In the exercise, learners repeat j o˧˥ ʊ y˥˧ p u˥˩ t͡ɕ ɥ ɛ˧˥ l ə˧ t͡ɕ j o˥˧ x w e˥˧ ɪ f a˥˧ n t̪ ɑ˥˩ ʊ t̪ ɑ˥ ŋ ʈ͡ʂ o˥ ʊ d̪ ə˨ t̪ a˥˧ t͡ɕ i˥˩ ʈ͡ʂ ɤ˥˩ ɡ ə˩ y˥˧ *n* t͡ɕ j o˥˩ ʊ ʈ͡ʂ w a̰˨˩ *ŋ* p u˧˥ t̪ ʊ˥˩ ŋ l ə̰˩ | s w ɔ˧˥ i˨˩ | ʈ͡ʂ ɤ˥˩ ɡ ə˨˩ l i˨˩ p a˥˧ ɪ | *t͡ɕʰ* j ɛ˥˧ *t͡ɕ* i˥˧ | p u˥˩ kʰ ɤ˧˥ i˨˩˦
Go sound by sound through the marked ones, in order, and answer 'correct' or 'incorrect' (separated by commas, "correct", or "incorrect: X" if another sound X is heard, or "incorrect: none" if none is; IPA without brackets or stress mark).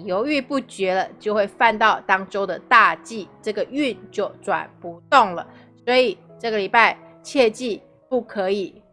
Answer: correct, incorrect: n, correct, correct